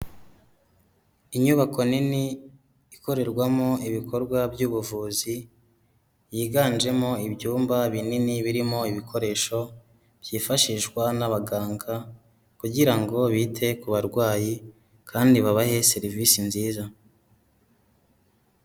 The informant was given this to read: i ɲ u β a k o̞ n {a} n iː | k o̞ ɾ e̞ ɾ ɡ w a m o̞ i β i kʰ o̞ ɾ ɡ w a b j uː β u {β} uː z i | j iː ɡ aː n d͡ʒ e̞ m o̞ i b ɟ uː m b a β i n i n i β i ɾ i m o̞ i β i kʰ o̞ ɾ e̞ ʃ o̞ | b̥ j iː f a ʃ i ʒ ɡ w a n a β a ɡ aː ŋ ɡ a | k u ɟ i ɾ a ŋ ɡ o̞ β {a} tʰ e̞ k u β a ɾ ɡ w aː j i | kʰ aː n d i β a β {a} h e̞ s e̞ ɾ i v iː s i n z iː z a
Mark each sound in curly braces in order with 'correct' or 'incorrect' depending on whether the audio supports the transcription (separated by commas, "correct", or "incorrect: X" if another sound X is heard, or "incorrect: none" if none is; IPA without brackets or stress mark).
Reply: incorrect: i, incorrect: v, incorrect: i, correct